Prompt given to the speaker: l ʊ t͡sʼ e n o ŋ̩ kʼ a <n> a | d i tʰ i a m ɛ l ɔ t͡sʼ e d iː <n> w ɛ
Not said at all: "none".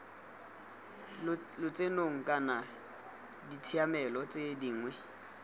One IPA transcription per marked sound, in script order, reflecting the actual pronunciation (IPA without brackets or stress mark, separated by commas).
n, ŋ